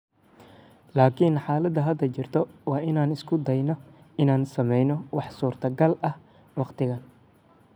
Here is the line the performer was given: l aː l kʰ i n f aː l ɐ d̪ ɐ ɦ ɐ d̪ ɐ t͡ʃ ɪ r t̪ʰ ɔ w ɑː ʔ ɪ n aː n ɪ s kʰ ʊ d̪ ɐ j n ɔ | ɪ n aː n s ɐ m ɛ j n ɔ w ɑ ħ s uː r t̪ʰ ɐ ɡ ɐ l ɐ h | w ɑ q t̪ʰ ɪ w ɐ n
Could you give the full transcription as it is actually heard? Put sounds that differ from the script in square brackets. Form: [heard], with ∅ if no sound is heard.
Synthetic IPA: l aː [∅] kʰ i n [ħ] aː l ɐ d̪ ɐ ɦ ɐ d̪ ɐ t͡ʃ ɪ r t̪ʰ ɔ w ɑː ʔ ɪ n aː n ɪ s kʰ ʊ d̪ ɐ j n ɔ | ɪ n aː n s ɐ m ɛ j n ɔ w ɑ ħ s uː r t̪ʰ ɐ ɡ ɐ l ɐ h | w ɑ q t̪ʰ ɪ [ɣ] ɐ n